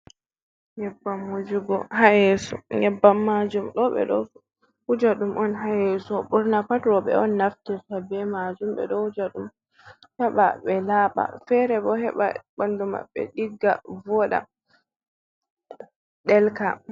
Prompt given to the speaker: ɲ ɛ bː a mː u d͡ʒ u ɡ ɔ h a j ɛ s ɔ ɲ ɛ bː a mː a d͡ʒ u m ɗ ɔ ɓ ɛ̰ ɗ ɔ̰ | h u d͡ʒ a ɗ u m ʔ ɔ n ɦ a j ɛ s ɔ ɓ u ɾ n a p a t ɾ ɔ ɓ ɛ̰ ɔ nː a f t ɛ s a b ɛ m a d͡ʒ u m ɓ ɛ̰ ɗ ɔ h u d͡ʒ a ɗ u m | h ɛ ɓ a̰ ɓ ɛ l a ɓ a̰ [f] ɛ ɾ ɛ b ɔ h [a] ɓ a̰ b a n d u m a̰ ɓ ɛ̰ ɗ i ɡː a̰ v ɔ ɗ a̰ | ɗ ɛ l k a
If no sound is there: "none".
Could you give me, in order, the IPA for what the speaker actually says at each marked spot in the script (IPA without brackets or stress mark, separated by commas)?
f, ɛ